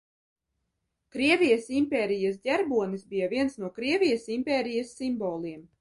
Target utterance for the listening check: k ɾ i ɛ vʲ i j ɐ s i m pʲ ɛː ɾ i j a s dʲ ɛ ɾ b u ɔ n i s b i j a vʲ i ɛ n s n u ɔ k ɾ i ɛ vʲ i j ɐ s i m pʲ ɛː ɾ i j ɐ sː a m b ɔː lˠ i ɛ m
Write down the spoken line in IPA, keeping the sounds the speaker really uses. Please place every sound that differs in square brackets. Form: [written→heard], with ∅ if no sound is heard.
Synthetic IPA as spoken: k ɾ i ɛ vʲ i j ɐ s i m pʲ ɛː ɾ i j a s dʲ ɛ ɾ b u ɔ n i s b i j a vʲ i ɛ n s n u ɔ k ɾ i ɛ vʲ i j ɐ s i m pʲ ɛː ɾ i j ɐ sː [a→i] m b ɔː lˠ i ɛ m